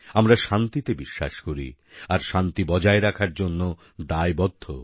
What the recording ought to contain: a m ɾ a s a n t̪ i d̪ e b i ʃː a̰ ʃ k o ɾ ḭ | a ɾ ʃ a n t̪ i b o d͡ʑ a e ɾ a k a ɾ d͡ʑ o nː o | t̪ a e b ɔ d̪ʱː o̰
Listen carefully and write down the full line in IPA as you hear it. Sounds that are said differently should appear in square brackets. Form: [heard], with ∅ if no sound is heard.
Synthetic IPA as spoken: a m ɾ a [ʃ] a n t̪ i [t̪] e b i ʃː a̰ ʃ k o ɾ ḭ | a ɾ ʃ a n t̪ i b [ɔ] d͡ʑ a e ɾ a [kʰ] a ɾ d͡ʑ o nː o | [d̪] a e b ɔ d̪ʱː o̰